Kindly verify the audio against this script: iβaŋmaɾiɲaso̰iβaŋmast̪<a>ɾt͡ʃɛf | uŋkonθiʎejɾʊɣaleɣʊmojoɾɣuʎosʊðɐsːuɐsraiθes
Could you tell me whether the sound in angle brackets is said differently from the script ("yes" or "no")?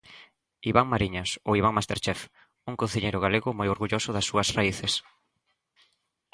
yes